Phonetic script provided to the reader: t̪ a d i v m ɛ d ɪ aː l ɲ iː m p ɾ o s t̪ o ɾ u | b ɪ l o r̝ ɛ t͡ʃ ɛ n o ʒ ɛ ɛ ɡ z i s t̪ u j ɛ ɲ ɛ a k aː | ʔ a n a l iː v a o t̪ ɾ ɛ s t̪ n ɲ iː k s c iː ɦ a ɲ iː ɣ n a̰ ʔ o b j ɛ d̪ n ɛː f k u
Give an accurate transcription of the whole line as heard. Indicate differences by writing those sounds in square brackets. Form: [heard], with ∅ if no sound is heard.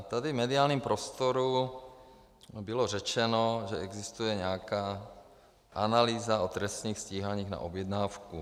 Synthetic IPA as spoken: t̪ a d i v m ɛ d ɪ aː l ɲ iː m p ɾ o s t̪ o ɾ u | b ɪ l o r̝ ɛ t͡ʃ ɛ n o ʒ ɛ ɛ ɡ z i s t̪ u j ɛ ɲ ɛ a k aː | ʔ a n a l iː [z] a o t̪ ɾ ɛ s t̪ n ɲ iː [x] s c iː ɦ a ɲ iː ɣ n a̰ ʔ o b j ɛ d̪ n [aː] f k u